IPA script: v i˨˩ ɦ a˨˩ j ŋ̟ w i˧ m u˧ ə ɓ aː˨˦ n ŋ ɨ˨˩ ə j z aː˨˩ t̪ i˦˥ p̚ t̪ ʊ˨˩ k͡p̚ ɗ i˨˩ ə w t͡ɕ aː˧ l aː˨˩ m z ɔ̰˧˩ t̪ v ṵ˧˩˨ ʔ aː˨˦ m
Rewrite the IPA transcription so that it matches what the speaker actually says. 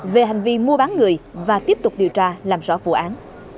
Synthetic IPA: v e˨˩ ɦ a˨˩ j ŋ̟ v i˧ m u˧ ə ɓ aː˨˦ n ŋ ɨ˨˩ ə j v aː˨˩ t̪ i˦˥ p̚ t̪ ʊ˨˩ k͡p̚ ɗ i˨˩ ə w t͡ɕ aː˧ l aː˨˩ m z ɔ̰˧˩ v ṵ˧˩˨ ʔ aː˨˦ n